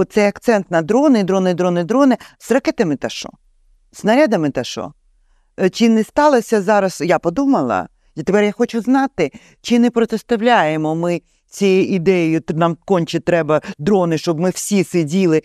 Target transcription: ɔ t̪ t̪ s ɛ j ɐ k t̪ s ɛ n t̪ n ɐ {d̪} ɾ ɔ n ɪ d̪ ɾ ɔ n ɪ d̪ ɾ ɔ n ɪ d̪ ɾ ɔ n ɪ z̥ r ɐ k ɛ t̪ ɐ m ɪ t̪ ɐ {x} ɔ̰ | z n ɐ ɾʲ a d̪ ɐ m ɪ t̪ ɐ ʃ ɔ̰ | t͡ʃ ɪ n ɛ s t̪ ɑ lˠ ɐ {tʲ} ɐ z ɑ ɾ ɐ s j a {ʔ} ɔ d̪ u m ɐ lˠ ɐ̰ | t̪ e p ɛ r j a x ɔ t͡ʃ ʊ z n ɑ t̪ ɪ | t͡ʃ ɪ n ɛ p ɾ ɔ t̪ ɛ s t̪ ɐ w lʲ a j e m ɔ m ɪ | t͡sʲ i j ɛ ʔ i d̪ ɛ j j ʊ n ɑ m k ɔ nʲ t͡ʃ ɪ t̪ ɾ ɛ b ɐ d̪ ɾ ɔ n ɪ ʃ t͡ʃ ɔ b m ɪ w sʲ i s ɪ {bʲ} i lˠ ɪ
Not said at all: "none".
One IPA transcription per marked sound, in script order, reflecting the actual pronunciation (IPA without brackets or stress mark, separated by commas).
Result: d̪, ʃ, sʲ, p, dʲ